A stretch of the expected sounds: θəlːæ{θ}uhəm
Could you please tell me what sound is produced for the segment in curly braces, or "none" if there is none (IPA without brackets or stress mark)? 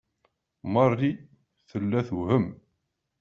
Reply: θ